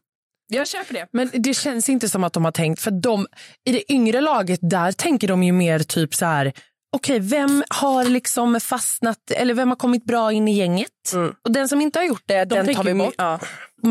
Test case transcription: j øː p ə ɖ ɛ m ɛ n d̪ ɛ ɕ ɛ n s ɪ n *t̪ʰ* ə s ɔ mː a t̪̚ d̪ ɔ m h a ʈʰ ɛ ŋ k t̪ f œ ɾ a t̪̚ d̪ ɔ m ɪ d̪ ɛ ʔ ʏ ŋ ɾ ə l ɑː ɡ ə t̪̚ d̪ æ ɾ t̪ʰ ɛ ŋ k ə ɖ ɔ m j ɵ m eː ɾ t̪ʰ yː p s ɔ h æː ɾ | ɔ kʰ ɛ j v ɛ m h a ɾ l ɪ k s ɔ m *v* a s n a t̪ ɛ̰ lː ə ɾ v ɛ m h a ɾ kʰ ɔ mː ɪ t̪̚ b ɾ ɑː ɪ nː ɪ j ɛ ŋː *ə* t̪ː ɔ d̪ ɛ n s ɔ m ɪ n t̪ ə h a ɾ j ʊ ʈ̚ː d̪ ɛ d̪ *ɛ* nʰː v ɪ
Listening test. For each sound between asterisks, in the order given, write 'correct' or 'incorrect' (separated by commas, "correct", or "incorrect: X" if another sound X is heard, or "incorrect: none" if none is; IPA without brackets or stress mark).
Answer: incorrect: t̪, incorrect: f, correct, correct